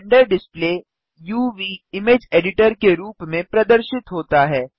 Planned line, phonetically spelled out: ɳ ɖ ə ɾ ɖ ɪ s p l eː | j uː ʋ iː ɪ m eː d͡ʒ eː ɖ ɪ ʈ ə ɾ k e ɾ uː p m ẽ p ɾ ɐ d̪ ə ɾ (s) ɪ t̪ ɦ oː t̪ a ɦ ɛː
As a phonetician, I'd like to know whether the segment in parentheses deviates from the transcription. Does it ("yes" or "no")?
yes